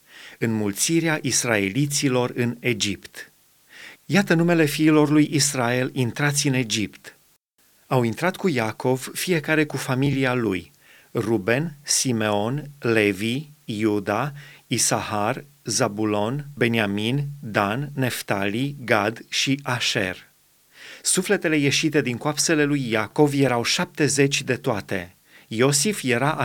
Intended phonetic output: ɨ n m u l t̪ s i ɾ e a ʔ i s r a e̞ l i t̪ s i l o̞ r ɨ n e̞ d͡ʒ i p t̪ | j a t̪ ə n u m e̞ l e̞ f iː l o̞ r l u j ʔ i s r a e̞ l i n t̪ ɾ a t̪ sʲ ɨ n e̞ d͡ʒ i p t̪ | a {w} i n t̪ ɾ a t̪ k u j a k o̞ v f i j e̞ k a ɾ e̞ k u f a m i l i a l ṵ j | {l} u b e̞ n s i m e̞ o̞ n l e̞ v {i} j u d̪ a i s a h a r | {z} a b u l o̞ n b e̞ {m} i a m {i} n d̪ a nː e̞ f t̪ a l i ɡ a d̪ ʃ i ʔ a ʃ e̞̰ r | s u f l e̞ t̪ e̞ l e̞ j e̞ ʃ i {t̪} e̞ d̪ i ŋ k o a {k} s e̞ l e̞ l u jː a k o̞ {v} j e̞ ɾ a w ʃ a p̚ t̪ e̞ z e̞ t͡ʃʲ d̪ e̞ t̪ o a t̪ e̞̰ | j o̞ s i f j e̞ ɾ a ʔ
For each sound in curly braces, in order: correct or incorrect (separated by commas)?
correct, incorrect, correct, correct, incorrect, correct, correct, incorrect, correct